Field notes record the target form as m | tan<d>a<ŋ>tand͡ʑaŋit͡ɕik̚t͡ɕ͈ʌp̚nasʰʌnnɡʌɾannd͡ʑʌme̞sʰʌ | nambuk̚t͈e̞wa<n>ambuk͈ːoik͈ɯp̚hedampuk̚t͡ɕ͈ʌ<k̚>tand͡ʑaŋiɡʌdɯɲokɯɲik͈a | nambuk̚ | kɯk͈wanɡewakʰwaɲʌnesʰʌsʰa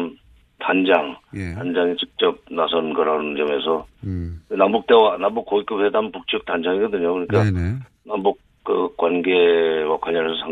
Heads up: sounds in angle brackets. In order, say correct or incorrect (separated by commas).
incorrect, correct, correct, correct